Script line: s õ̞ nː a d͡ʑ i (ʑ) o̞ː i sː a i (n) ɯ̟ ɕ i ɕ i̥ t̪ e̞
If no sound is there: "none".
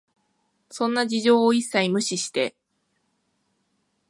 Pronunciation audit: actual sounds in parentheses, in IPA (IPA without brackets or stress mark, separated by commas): ʑ, m